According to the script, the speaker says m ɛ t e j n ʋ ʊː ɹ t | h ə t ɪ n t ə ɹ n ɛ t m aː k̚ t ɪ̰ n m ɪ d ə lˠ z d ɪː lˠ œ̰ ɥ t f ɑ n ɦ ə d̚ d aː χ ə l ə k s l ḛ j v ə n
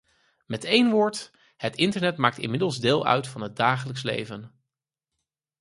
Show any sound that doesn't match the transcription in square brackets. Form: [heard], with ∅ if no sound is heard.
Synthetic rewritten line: m ɛ t e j n ʋ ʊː ɹ t | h ə t ɪ n t ə ɹ n ɛ t m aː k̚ t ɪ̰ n m ɪ d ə lˠ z d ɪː lˠ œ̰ ɥ t f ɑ n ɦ ə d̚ d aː χ ə l ə k s l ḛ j v ə n